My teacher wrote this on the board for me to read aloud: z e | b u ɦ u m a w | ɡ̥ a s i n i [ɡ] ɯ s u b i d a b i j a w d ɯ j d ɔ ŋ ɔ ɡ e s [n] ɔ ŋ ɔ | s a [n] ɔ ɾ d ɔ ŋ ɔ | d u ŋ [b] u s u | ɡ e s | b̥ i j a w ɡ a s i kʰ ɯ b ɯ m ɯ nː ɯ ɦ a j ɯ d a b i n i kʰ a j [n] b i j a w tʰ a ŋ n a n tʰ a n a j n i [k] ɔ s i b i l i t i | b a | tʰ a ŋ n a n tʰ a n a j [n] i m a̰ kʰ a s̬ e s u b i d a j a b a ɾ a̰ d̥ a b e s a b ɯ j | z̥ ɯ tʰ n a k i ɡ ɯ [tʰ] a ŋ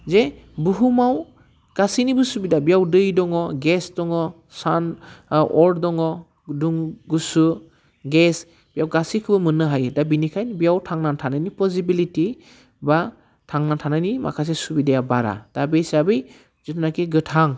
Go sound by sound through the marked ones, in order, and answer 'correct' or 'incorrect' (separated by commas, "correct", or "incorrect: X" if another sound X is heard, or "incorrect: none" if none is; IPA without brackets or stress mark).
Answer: incorrect: b, incorrect: d, correct, incorrect: ɡ, correct, incorrect: p, correct, correct